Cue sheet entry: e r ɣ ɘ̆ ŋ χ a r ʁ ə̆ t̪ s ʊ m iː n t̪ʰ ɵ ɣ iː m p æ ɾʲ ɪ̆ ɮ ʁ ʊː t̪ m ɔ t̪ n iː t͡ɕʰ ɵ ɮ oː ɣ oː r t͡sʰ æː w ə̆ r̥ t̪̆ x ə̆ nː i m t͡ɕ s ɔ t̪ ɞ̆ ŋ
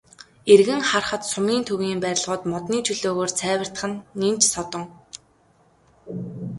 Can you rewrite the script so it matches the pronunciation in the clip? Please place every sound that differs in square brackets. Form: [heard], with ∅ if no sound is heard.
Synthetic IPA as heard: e r ɣ ɘ̆ ŋ χ a r [χ] ə̆ t̪ s ʊ m iː n t̪ʰ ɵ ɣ iː m p æ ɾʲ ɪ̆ ɮ ʁ ʊː t̪ m ɔ t̪ n iː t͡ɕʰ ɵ ɮ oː ɣ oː r t͡sʰ æː w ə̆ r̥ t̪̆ [χ] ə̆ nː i m t͡ɕ s ɔ t̪ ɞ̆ ŋ